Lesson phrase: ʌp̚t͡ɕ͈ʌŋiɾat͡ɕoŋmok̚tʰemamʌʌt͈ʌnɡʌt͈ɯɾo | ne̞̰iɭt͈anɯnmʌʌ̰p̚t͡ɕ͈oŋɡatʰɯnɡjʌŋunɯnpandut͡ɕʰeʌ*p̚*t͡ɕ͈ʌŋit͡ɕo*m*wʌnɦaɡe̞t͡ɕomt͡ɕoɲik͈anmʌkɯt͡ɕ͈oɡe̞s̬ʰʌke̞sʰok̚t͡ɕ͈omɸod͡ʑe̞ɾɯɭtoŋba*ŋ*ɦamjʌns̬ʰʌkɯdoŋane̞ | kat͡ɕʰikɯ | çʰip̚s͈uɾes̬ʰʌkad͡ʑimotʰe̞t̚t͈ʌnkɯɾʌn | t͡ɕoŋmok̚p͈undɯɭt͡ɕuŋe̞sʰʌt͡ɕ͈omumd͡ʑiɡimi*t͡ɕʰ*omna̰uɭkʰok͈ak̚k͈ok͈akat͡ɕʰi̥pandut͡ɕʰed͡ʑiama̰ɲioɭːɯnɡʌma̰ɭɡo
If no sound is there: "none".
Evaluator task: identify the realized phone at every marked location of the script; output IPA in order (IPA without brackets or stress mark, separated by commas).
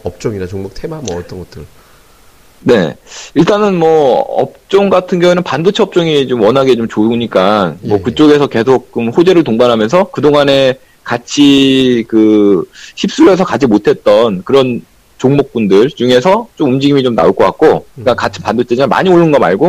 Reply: p̚, m, n, t͡ɕ